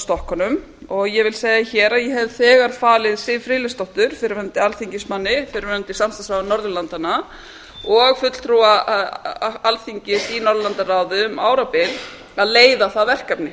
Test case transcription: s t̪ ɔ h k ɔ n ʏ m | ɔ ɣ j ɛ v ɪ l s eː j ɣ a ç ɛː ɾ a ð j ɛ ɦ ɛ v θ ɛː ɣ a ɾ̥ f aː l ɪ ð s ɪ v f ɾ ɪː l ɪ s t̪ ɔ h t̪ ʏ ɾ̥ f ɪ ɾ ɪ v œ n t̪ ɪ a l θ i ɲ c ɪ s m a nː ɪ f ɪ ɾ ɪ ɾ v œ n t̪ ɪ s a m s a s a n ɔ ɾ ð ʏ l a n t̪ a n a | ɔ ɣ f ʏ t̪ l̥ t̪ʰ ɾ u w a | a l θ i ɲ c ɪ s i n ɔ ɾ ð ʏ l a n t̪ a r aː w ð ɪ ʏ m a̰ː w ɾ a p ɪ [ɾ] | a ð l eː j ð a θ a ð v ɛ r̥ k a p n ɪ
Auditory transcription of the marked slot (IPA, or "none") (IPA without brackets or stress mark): l